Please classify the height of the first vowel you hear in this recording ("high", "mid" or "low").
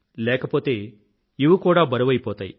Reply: mid